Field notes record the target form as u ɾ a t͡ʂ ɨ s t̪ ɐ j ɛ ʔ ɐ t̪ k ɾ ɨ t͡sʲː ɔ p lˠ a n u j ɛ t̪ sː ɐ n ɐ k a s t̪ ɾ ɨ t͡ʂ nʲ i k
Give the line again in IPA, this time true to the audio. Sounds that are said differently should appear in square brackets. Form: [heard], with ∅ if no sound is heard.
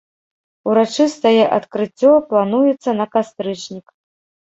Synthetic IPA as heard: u ɾ a t͡ʂ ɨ s t̪ ɐ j ɛ ʔ ɐ t̪ k ɾ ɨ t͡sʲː ɔ p lˠ a n u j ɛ t̪ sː ɐ n ɐ k a s t̪ ɾ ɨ t͡ʂ nʲ i k